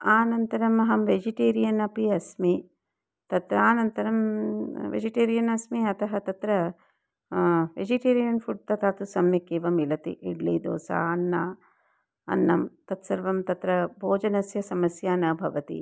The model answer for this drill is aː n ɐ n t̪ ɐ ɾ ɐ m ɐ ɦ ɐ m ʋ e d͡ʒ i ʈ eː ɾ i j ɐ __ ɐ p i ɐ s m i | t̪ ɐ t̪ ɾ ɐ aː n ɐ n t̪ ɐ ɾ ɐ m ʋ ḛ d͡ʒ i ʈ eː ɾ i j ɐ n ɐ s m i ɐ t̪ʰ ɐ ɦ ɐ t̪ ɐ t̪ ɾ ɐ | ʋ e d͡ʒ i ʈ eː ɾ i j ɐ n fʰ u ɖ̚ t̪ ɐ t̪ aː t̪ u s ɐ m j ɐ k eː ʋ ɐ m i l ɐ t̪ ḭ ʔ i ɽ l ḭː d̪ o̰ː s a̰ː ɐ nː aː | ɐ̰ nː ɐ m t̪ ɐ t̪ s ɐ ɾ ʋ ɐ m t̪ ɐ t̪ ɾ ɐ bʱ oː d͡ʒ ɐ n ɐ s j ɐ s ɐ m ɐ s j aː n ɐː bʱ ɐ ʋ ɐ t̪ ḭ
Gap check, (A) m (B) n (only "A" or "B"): B